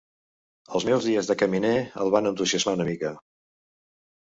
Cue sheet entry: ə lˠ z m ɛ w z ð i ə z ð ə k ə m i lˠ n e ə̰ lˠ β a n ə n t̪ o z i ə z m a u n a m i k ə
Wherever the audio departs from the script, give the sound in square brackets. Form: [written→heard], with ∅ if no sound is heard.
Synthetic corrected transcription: ə lˠ z m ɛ w z ð i ə z ð ə k ə m i [lˠ→∅] n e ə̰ lˠ β a n ə n t̪ [o→u] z i ə z m a u n [a→ə] m i k ə

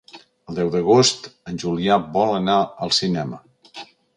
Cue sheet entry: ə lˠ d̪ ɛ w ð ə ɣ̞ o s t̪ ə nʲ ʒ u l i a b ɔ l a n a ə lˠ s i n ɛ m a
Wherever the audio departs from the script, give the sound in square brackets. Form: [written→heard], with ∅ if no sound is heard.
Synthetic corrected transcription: ə lˠ d̪ ɛ w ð ə ɣ̞ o s t̪ ə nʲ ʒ u l i a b ɔ l [a→ə] n a ə lˠ s i n ɛ m [a→ə]

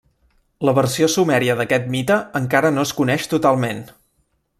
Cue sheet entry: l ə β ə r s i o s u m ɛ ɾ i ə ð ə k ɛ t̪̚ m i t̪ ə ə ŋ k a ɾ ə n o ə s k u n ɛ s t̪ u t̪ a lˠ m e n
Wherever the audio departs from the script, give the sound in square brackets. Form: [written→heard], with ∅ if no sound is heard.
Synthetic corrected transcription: l ə β ə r s i o s u m ɛ ɾ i ə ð ə k ɛ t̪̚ m i t̪ ə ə ŋ k a ɾ ə n o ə s k u n ɛ [s→ʃ] t̪ u t̪ a lˠ m e n

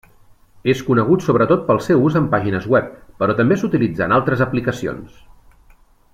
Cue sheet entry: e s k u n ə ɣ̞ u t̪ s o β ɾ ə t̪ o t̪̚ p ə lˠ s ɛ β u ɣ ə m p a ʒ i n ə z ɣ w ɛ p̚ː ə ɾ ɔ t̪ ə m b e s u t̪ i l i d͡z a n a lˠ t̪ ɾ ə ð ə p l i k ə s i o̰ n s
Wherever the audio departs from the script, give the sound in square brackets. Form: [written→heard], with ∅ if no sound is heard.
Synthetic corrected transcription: e s k u n ə ɣ̞ u t̪ s o β ɾ ə t̪ o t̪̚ p ə lˠ s ɛ [β→w] u [ɣ→z] ə m p a ʒ i n ə z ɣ w ɛ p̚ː ə ɾ ɔ t̪ ə m b e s u t̪ i l i d͡z a n a lˠ t̪ ɾ ə [ð→z] ə p l i k ə s i o̰ n s

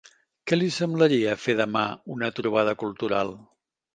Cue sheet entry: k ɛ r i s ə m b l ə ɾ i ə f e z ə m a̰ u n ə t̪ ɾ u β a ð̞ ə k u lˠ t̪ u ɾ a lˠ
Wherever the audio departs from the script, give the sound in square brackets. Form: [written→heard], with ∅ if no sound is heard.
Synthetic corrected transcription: k ɛ [r→l] i s ə m b l ə ɾ i ə f e [z→ð] ə m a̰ u n ə t̪ ɾ u β a ð̞ ə k u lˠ t̪ u ɾ a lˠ

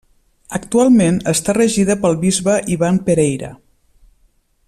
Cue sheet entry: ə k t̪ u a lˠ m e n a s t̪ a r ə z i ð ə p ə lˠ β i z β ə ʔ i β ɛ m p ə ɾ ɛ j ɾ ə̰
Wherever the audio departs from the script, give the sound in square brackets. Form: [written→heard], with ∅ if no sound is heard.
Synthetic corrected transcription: ə k t̪ u a lˠ m e n [a→ə] s t̪ a r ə [z→ʒ] i ð ə p ə lˠ β i z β ə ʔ i β [ɛ→a] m p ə ɾ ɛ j ɾ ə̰

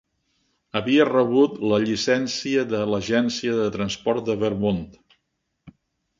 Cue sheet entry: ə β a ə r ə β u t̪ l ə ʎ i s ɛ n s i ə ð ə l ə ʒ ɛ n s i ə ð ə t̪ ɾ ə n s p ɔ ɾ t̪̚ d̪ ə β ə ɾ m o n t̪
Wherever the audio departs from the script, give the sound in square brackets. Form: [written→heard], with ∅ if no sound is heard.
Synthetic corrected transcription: ə β [a→i] ə r ə β u t̪ l ə ʎ i s ɛ n s i ə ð ə l ə ʒ ɛ n s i ə ð ə t̪ ɾ ə n s p ɔ ɾ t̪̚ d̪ ə β ə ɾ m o n t̪

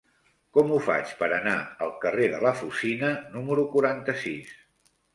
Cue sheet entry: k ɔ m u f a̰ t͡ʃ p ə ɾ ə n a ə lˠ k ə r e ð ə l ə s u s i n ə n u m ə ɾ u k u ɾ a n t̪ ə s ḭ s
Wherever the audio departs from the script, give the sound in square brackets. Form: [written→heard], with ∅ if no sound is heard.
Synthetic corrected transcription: k ɔ m u f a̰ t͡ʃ p ə ɾ ə n a ə lˠ k ə r e ð ə l ə [s→f] u s i n ə n u m ə ɾ u k u ɾ a n t̪ ə s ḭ s

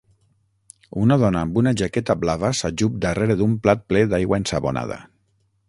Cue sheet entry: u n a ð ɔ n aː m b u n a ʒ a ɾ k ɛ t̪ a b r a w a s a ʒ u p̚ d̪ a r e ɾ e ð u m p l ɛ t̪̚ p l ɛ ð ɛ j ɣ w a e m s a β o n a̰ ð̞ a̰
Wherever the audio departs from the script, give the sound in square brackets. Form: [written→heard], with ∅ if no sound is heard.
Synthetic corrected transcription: u n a ð ɔ n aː m b u n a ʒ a [ɾ→∅] k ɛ t̪ a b [r→l] a [w→β] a s a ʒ u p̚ d̪ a r e ɾ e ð u m p l [ɛ→a] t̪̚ p l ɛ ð [ɛ→a] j ɣ w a e [m→n] s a β o n a̰ ð̞ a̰

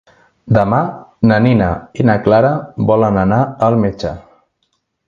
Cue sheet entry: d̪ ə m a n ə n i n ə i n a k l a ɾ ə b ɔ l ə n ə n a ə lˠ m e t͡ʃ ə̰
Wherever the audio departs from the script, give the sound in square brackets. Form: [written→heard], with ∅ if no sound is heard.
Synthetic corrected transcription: d̪ ə m a n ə n i n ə i n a k l a ɾ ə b ɔ l ə n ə n a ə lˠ m e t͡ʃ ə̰

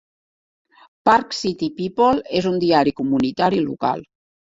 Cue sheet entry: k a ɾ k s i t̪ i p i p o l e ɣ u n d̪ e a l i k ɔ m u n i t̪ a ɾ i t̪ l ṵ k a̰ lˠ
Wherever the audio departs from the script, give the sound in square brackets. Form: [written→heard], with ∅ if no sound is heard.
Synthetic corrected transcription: [k→p] a ɾ k s i t̪ i p i p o l e [ɣ→z] u n d̪ [e→i] a [l→ɾ] i k [ɔ→u] m u n i t̪ a ɾ i [t̪→∅] l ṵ k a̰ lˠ

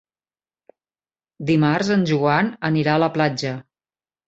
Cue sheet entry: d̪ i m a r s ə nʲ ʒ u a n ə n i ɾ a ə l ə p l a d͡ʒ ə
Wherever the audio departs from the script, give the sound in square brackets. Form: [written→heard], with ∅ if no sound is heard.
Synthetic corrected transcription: d̪ i m a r [s→z] ə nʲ ʒ u a n ə n i ɾ a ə l ə p l a d͡ʒ ə

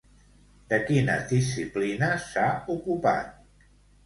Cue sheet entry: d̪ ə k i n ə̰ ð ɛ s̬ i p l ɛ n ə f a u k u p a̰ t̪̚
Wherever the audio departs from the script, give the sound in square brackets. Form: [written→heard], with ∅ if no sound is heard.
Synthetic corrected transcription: d̪ ə k i n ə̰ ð [ɛ→i] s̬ i p l [ɛ→i] n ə [f→s] a u k u p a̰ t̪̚

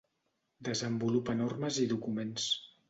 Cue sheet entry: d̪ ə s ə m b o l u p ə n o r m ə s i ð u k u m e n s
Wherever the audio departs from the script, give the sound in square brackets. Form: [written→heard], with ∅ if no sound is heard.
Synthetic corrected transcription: d̪ ə [s→z] ə m b [o→u] l u p ə n o r m ə [s→z] i ð u k u m e n s

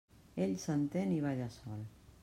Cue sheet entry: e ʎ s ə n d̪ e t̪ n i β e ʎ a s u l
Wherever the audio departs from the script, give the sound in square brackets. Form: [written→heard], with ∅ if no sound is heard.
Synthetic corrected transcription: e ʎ s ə n [d̪→t̪] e [t̪→∅] n i β [e→a] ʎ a s [u→ɔ] l

